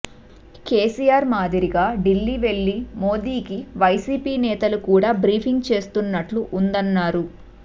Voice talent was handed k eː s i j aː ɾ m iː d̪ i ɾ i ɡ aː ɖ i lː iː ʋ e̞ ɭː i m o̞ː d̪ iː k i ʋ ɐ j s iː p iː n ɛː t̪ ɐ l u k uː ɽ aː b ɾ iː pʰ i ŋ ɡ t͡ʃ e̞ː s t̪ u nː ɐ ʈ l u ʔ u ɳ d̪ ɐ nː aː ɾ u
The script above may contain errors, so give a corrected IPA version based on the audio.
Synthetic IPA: k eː s i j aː ɾ m aː d̪ i ɾ i ɡ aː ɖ i lː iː ʋ e̞ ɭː i m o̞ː d̪ iː k i ʋ ɐ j s iː p iː n ɛː t̪ ɐ l u k uː ɽ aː b ɾ iː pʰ i ŋ ɡ t͡ʃ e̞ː s t̪ u nː ɐ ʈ l u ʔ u n d̪ ɐ nː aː ɾ u

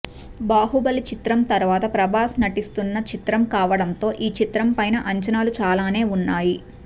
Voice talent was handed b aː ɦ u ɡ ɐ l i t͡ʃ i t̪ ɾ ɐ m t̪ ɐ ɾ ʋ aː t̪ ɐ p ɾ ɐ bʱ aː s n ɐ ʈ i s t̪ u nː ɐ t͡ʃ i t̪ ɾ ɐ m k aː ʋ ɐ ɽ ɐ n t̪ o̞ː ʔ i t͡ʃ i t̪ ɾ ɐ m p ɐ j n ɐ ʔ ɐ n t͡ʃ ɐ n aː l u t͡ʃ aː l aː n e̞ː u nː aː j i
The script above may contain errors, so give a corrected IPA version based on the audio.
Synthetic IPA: b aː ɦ u b ɐ l i t͡ʃ i t̪ ɾ ɐ m t̪ ɐ ɾ ʋ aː t̪ ɐ p ɾ ɐ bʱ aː s n ɐ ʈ i s t̪ u nː ɐ t͡ʃ i t̪ ɾ ɐ m k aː ʋ ɐ ɽ ɐ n t̪ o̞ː ʔ iː t͡ʃ i t̪ ɾ ɐ m p ɐ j n ɐ ʔ ɐ ɲ t͡ʃ ɐ n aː l u t͡ʃ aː l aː n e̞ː u nː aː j i

